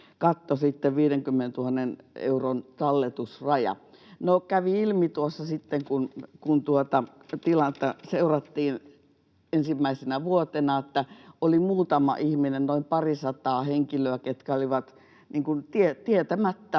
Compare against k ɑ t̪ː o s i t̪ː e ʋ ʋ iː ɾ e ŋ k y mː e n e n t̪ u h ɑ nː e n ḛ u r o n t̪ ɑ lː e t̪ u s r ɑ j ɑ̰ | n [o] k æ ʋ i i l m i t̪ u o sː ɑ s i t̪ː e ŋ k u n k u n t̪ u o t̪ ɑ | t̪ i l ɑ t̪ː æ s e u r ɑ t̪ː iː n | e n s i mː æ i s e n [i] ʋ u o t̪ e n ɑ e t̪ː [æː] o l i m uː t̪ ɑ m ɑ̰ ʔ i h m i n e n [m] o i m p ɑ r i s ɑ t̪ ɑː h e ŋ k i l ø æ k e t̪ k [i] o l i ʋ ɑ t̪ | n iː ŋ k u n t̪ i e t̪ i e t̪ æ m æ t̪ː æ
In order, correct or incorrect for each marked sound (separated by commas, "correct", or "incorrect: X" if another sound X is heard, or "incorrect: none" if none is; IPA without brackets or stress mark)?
correct, incorrect: æ, incorrect: æ, incorrect: n, incorrect: æ